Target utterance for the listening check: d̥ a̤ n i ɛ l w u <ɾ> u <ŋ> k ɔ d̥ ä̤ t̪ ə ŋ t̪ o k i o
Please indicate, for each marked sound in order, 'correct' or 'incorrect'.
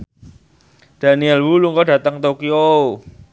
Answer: incorrect: l, correct

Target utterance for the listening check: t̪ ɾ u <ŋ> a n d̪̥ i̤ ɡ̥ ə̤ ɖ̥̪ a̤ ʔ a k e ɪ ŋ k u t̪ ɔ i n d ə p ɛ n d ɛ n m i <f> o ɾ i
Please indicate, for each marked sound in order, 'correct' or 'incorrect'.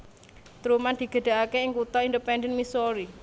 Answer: incorrect: m, incorrect: s

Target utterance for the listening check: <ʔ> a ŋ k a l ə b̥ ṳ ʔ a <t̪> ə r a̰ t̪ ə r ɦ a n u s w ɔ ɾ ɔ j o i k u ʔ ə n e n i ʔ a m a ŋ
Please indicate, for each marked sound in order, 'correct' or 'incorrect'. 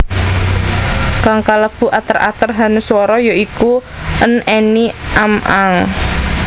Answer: incorrect: k, correct

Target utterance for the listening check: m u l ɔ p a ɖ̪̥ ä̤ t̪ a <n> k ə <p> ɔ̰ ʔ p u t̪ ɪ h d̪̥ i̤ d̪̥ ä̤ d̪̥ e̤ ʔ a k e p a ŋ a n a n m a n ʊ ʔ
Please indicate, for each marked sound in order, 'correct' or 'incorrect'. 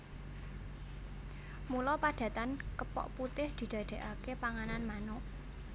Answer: correct, correct

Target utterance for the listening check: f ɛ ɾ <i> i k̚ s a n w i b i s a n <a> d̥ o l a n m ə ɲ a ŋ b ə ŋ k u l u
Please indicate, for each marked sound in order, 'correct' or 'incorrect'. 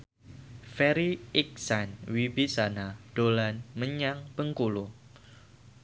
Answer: correct, correct

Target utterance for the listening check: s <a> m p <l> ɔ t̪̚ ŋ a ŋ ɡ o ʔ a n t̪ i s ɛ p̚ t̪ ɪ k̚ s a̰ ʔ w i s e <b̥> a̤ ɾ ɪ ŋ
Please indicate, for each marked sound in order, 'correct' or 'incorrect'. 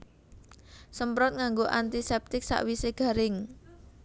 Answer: incorrect: ə, incorrect: ɾ, incorrect: ɡ̥

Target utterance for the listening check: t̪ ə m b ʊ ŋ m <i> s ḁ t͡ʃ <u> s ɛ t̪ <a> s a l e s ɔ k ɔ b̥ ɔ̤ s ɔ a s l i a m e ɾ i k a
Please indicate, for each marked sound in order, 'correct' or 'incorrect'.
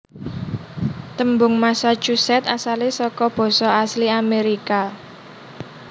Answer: incorrect: a, correct, correct

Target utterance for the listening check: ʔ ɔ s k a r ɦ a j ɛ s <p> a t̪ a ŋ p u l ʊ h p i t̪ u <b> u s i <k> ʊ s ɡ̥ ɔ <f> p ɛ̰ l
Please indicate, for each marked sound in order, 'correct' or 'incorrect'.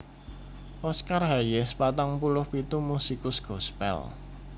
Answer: correct, incorrect: m, correct, incorrect: s

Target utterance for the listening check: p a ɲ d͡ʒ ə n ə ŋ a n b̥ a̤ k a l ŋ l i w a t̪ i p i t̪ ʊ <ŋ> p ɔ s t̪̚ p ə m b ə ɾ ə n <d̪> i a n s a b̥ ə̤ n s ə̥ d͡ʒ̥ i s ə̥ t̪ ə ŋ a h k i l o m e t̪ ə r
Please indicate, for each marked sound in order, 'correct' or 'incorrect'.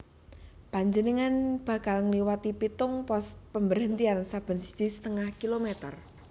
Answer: correct, incorrect: t̪

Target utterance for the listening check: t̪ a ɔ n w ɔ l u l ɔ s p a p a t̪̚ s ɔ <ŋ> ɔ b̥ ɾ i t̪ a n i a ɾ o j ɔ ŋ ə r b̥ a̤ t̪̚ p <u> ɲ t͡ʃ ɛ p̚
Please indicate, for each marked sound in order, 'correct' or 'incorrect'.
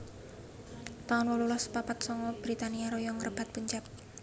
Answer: correct, correct

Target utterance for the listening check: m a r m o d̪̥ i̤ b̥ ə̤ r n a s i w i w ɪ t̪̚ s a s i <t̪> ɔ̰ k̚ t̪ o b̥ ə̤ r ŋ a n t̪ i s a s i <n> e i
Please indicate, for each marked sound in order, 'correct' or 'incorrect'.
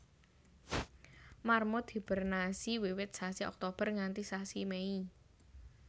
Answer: incorrect: none, incorrect: m

